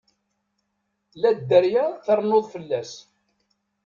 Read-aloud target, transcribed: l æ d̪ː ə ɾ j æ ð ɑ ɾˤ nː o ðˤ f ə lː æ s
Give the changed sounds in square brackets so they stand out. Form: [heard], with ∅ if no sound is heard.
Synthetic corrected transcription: l æ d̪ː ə ɾ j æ [θ] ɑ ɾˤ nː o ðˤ f ə lː æ s